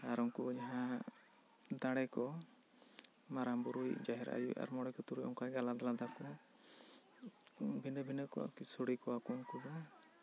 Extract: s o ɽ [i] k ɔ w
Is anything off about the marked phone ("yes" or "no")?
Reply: no